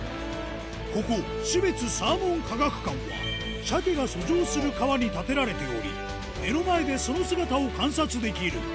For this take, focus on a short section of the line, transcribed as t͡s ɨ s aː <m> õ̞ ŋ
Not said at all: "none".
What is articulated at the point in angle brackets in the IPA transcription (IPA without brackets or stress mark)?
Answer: m